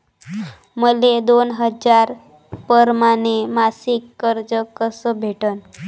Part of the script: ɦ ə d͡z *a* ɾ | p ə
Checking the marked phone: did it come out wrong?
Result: no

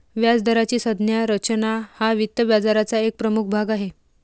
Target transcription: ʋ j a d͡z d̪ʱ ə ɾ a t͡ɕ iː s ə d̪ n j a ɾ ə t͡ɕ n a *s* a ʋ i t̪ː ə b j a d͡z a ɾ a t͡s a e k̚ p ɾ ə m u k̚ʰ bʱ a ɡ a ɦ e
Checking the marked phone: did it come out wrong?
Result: yes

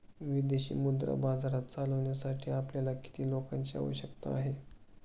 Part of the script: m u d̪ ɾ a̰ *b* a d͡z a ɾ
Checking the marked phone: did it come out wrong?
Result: no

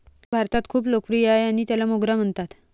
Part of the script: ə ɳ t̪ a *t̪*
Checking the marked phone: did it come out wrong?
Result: no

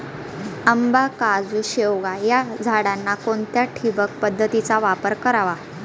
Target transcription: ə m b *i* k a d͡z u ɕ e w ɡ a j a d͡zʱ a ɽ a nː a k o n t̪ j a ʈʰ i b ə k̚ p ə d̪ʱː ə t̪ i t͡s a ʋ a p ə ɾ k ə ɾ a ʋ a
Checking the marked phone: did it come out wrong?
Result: yes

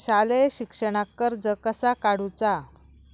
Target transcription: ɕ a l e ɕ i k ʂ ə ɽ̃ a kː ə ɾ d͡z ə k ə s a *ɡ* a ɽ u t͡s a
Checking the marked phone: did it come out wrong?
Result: yes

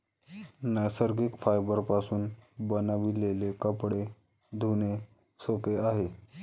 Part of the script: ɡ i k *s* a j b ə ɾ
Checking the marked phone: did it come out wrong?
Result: yes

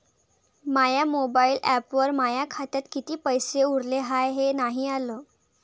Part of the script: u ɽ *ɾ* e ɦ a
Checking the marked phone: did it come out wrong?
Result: yes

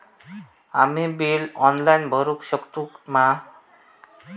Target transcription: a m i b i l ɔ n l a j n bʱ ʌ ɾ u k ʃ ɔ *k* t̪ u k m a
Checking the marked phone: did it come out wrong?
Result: no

